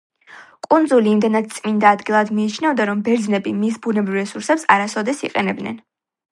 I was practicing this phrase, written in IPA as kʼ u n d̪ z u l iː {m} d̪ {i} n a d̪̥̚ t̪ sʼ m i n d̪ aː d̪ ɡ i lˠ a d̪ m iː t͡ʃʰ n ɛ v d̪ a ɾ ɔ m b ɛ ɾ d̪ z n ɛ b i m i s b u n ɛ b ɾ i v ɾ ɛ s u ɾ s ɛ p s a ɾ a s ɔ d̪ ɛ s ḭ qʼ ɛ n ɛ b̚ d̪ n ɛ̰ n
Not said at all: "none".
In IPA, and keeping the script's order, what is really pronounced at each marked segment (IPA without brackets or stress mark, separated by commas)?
m, ɛ